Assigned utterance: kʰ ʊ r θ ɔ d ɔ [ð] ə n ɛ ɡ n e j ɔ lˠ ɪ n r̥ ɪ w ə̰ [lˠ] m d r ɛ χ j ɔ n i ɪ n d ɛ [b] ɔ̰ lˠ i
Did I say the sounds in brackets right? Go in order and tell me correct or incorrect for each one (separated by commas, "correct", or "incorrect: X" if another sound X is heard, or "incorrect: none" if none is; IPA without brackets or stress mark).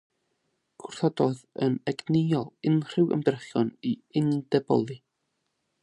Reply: correct, incorrect: none, correct